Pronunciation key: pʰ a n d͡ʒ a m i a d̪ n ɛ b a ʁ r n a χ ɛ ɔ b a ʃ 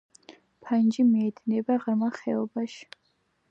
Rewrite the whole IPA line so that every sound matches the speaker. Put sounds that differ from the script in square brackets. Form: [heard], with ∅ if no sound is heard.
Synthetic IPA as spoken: pʰ a n d͡ʒ [i] m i [ɛ] d̪ n ɛ b a ʁ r [m] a χ ɛ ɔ b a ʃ